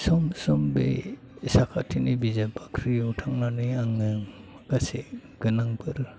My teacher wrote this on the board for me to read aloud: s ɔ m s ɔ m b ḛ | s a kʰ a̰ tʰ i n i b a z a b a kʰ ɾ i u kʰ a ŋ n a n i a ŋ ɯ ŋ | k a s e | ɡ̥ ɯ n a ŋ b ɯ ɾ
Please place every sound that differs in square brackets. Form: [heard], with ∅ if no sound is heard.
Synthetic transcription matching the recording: s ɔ m s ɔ m b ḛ | s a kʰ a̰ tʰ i n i b [i] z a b a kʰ ɾ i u [tʰ] a ŋ n a n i a ŋ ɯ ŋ | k a s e | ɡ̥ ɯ n a ŋ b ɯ ɾ